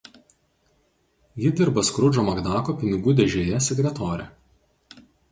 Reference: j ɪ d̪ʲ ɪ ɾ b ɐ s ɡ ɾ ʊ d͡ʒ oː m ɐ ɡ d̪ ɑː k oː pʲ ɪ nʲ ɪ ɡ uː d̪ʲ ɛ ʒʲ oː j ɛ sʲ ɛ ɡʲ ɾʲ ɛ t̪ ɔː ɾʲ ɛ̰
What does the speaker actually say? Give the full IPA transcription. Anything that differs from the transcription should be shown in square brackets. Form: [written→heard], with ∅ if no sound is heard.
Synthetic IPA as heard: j ɪ d̪ʲ ɪ ɾ b ɐ s [ɡ→k] ɾ ʊ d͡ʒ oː m ɐ ɡ d̪ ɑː k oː pʲ ɪ nʲ ɪ ɡ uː d̪ʲ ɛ ʒʲ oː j ɛ sʲ ɛ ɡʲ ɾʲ ɛ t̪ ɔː ɾʲ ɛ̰

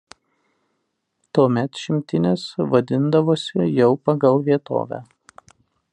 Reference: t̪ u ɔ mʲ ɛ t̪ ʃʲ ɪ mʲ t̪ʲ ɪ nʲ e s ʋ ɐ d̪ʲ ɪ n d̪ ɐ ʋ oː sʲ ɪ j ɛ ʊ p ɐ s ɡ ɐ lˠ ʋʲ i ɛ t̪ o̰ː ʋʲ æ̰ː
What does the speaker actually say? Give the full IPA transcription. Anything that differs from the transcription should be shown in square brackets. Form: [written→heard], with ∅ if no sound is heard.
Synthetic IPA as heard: t̪ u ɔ mʲ ɛ t̪ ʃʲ ɪ mʲ t̪ʲ ɪ nʲ e s ʋ ɐ d̪ʲ ɪ n d̪ ɐ ʋ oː sʲ ɪ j ɛ ʊ p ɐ [s→∅] ɡ ɐ lˠ ʋʲ i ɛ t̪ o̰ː ʋʲ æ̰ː

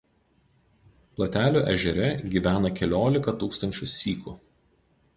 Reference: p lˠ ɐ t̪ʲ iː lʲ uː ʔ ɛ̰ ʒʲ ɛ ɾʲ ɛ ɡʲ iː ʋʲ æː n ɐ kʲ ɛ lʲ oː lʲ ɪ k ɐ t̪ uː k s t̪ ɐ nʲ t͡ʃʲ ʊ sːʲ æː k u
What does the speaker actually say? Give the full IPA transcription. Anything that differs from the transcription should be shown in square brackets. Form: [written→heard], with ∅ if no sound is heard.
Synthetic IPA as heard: p lˠ ɐ t̪ʲ [iː→æː] lʲ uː ʔ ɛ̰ ʒʲ ɛ ɾʲ ɛ ɡʲ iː ʋʲ æː n ɐ kʲ ɛ lʲ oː lʲ ɪ k ɐ t̪ uː k s t̪ ɐ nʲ t͡ʃʲ ʊ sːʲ [æː→iː] k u

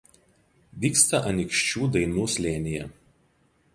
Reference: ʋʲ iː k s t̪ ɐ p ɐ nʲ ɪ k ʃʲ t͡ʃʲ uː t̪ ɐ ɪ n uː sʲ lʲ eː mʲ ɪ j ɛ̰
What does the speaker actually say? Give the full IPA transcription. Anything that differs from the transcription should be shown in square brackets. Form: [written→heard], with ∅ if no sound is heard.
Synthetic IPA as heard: ʋʲ iː k s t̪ ɐ [p→ʔ] ɐ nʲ ɪ k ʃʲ t͡ʃʲ uː [t̪→d̪] ɐ ɪ n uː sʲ lʲ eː [mʲ→nʲ] ɪ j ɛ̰

